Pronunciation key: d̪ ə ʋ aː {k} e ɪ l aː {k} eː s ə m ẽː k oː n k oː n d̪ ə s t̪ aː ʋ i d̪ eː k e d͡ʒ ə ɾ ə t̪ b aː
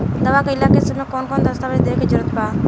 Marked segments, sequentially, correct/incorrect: correct, correct

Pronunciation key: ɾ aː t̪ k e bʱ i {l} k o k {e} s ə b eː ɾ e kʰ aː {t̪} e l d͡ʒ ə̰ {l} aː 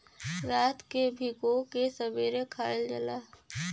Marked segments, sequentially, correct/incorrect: incorrect, correct, incorrect, correct

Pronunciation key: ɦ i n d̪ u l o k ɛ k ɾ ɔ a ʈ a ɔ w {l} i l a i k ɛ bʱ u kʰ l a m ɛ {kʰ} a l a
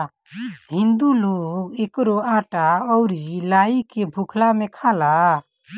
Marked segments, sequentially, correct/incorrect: incorrect, correct

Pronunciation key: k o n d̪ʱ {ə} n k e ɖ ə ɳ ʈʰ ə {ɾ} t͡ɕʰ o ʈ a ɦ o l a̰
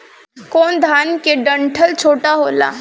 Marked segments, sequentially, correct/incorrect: incorrect, incorrect

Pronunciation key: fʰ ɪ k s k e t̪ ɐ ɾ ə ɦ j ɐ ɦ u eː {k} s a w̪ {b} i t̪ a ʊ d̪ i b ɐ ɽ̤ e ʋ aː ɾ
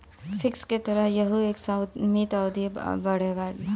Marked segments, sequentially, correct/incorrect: correct, incorrect

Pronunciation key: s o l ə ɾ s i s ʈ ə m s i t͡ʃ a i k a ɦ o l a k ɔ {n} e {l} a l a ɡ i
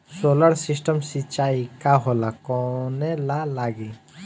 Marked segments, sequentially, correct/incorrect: correct, correct

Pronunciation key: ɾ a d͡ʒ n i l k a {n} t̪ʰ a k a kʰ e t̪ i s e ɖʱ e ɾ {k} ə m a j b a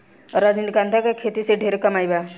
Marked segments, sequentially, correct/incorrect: correct, correct

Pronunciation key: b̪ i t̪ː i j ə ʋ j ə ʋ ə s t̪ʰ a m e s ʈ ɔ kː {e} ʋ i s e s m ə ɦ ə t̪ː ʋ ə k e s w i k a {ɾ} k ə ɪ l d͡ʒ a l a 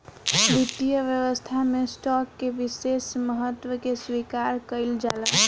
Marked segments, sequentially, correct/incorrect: correct, correct

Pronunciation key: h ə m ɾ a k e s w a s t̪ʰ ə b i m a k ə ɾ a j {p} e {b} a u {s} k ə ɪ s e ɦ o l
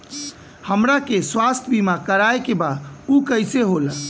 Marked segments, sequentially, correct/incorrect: incorrect, correct, incorrect

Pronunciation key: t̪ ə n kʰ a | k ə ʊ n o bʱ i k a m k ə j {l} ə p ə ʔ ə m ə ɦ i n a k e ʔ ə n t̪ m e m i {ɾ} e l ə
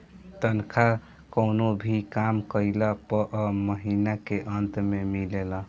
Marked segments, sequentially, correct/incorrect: correct, incorrect

